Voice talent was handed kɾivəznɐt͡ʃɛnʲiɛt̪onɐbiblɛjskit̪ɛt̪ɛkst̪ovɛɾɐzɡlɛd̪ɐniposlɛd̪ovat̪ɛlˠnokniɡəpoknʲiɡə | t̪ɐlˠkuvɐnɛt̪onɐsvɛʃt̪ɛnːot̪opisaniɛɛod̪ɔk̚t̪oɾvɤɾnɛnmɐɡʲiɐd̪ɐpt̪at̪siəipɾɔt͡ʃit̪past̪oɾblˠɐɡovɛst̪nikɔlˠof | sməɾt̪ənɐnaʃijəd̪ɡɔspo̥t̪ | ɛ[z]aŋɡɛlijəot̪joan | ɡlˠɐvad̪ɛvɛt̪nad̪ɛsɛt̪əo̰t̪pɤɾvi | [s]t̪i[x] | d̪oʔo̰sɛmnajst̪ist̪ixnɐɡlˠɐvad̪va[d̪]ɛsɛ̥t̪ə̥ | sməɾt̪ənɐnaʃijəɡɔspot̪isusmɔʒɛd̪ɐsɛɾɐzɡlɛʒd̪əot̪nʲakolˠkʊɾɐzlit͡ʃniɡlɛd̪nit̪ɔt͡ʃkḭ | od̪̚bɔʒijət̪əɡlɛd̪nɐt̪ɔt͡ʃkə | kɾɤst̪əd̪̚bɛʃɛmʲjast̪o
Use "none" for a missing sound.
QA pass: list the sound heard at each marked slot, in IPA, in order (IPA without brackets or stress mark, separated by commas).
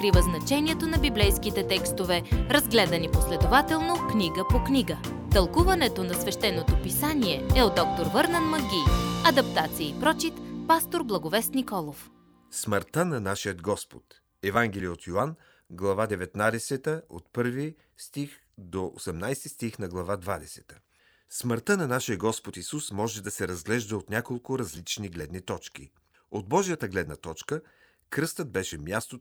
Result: v, s, x, d̪